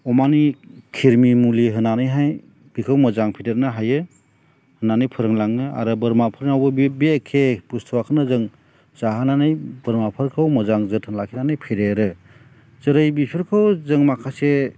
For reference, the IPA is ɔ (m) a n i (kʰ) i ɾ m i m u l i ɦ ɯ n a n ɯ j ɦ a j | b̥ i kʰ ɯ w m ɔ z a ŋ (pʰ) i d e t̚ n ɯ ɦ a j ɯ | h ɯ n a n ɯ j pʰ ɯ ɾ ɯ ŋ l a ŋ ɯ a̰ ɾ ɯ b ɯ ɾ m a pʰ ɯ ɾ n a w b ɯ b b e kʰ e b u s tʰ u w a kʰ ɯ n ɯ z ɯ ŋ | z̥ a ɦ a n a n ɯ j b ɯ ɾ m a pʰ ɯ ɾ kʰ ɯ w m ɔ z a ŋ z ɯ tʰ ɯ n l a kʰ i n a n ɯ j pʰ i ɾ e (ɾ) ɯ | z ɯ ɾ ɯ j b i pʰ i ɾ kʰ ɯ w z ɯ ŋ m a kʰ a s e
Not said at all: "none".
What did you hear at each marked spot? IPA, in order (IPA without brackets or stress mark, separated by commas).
m, kʰ, pʰ, ɾ